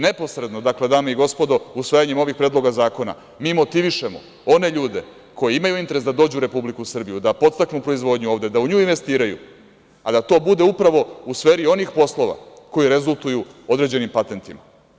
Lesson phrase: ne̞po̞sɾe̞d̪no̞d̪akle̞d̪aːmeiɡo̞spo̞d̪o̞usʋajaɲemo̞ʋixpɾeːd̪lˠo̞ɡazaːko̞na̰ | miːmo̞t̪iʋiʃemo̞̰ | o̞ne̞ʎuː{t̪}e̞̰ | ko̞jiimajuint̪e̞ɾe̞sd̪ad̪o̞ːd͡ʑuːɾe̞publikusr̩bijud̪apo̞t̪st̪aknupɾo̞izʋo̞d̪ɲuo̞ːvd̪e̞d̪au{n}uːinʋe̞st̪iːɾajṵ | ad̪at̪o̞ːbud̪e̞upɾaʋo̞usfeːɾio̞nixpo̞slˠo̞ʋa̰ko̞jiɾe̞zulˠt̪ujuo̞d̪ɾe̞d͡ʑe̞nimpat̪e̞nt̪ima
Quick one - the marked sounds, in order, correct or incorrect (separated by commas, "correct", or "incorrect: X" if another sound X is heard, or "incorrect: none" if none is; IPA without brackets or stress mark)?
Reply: incorrect: d̪, incorrect: ɲ